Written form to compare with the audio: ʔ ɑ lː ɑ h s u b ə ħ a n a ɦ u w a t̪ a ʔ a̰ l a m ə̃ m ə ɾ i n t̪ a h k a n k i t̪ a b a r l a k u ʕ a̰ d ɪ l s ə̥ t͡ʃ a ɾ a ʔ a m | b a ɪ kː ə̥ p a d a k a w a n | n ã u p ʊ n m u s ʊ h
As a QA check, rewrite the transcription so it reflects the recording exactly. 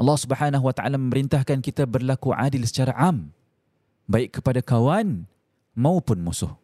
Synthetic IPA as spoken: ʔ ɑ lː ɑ h s u b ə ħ a n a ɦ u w a t̪ a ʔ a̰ l a m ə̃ m ə ɾ i n t̪ a h k a n k i t̪ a b ə r l a k u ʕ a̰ d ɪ l s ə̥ t͡ʃ a ɾ a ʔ a m | b a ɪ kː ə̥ p a d a k a w a n | m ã u p ʊ n m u s ʊ h